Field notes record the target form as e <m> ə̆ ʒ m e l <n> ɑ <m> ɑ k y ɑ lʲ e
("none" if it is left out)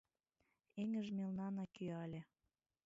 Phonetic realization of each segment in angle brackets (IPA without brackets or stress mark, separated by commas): ŋ, n, n